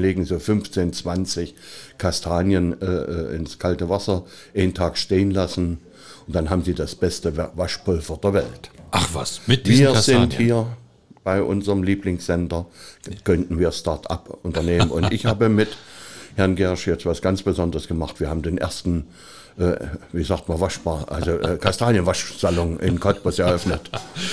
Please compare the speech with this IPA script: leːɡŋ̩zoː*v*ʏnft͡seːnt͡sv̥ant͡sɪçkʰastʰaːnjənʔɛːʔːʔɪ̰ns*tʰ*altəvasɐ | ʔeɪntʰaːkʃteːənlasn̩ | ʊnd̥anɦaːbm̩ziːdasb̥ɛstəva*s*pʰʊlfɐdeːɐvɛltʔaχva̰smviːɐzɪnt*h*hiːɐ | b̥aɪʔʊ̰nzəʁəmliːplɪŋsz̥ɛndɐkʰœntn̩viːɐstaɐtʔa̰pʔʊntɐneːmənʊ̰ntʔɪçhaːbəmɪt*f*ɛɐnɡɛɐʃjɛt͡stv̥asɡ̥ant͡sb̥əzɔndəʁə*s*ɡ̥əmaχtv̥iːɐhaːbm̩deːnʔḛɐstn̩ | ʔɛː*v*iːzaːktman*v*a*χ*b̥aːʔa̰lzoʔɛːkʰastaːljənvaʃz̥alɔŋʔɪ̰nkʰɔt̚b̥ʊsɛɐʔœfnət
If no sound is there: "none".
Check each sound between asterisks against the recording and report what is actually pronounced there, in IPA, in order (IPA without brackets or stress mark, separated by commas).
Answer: f, kʰ, ʃ, h, h, s, v, v, ʃ